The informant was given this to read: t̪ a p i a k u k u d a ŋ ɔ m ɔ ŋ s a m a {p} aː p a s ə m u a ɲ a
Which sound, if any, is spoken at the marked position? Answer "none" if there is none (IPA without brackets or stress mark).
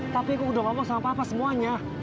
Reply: p